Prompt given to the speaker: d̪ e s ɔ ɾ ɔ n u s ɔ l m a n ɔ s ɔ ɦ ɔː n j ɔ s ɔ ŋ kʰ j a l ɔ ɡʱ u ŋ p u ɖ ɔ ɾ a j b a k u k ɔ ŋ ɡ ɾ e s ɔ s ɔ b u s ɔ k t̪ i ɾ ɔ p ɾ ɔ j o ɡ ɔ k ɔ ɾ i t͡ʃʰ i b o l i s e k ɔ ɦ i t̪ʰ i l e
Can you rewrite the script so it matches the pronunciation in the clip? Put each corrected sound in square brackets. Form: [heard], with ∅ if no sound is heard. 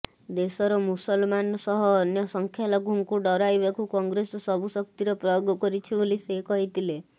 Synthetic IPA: d̪ e s ɔ ɾ ɔ [m] u s ɔ l m a n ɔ s ɔ ɦ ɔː n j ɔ s ɔ ŋ kʰ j a l ɔ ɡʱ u ŋ [k] u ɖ ɔ ɾ a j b a k u k ɔ ŋ ɡ ɾ e s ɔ s ɔ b u s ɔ k t̪ i ɾ ɔ p ɾ ɔ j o ɡ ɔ k ɔ ɾ i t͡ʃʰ i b o l i s e k ɔ ɦ i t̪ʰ i l e